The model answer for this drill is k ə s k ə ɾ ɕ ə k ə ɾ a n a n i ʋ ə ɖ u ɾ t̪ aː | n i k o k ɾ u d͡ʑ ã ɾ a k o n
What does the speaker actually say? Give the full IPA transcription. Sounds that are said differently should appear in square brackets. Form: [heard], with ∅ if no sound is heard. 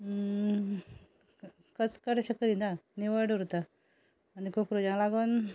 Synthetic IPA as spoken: k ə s k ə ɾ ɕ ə k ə ɾ [i] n a n i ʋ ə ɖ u ɾ t̪ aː | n i k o k ɾ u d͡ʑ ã [l] a [ɡ] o n